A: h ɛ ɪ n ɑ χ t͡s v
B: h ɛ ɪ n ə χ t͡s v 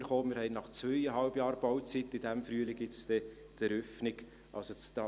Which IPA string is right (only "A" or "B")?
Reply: A